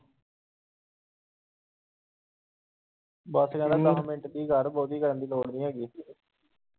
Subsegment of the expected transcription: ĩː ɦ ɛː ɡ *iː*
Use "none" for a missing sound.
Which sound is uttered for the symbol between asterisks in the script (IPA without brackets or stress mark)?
iː